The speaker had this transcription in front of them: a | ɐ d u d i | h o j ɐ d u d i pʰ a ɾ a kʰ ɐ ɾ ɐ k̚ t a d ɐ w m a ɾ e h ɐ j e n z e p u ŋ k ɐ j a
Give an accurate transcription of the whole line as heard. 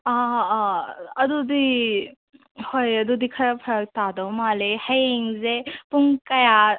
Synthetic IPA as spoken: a | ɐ d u d i | h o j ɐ d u d i kʰ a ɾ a pʰ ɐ ɾ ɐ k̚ t a d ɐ w m a l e h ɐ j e ŋ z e p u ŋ k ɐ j a